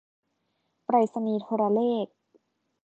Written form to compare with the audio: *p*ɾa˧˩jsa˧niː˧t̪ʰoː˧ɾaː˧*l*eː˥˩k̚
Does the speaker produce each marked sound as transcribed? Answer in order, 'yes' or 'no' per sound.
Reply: yes, yes

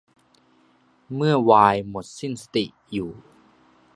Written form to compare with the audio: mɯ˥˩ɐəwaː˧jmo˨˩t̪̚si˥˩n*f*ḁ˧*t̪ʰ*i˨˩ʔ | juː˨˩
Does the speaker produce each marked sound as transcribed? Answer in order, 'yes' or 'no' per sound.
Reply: no, no

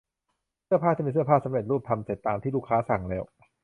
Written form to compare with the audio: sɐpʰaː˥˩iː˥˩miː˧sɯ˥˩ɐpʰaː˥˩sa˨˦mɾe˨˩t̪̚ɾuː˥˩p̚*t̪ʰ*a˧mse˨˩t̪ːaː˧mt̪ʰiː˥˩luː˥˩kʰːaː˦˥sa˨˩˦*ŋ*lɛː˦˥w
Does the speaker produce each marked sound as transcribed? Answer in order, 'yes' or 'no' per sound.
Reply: yes, yes

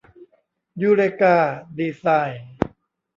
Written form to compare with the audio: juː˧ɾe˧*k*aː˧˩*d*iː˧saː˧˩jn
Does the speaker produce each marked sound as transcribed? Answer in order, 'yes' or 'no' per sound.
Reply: yes, yes

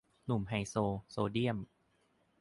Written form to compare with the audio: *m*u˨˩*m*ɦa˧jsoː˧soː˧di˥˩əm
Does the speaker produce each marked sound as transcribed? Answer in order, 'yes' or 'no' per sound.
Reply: no, yes

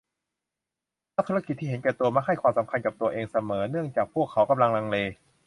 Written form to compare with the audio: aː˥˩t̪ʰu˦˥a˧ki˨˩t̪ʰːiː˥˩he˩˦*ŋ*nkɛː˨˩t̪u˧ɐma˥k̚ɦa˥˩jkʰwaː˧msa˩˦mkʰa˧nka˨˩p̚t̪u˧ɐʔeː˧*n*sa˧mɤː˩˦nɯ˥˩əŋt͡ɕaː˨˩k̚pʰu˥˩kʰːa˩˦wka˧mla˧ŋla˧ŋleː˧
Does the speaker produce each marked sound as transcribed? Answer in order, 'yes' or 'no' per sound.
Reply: no, no

